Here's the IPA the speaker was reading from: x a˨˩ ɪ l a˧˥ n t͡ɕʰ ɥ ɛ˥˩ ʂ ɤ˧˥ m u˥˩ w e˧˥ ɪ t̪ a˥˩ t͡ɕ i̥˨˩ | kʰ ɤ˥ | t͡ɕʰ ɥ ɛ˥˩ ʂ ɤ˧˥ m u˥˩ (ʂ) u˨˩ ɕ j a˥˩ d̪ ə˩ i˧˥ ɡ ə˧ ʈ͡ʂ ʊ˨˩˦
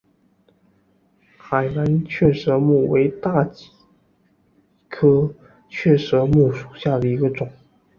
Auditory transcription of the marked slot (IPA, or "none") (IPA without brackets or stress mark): ʂ